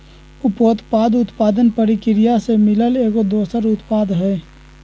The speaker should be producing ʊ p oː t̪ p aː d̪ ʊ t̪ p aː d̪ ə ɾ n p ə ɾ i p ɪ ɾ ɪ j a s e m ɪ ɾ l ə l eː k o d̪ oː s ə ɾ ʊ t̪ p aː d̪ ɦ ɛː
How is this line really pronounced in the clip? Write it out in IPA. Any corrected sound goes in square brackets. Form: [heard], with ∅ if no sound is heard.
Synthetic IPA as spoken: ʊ p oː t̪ p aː d̪ ʊ t̪ p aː d̪ ə [∅] n p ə ɾ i [k] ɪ ɾ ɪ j a s e m ɪ [∅] l ə l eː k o d̪ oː s ə ɾ ʊ t̪ p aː d̪ ɦ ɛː